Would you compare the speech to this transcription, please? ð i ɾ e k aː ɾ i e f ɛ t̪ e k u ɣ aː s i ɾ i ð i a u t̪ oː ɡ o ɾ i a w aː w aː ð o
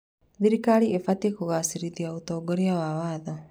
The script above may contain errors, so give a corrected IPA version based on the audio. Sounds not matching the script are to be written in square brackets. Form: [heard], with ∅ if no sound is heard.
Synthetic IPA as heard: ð i ɾ [i] k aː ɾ i e f [a] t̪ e k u ɣ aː s i ɾ i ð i a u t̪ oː ɡ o ɾ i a w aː w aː ð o

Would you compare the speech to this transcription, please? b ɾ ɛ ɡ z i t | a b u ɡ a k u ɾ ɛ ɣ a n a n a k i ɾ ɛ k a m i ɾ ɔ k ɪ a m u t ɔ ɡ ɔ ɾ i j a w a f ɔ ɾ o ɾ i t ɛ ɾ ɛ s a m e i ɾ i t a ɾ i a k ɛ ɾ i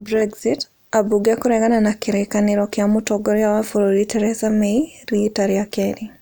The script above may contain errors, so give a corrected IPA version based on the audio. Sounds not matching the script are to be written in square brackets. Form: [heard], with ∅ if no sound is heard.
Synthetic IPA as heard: b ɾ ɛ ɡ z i t | a b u ɡ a k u ɾ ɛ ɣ a n a n a k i ɾ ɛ k a [n] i ɾ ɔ k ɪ a m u t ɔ ɡ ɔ ɾ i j a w a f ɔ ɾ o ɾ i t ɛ ɾ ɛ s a m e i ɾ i t a ɾ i a k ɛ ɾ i

